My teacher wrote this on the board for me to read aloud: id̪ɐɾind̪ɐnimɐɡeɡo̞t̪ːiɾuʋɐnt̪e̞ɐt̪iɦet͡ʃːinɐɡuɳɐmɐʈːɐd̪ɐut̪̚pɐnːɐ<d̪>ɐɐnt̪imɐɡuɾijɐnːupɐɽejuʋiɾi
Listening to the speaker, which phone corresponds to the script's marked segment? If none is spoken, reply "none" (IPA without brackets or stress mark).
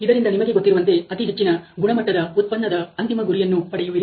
d̪